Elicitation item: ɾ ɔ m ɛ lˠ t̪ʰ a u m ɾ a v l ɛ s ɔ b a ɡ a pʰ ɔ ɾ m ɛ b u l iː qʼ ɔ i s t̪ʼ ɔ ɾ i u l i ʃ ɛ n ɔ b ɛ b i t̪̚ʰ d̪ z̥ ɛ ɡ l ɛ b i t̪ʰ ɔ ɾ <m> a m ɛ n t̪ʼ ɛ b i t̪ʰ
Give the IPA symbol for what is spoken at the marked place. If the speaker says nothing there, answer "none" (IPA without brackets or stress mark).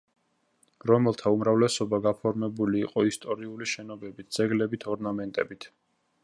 n